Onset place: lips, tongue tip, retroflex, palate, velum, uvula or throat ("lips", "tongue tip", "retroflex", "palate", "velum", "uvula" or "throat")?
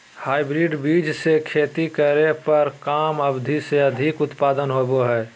throat